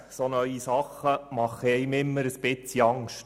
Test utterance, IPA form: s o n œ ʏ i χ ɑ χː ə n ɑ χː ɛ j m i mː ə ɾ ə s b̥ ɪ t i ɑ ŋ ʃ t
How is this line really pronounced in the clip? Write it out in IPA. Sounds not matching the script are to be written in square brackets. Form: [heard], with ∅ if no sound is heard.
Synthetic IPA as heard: s o n œ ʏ i [s] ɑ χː ə [m] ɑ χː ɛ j m [ɪ] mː ə ɾ ə s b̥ ɪ [t͡s] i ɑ ŋ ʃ t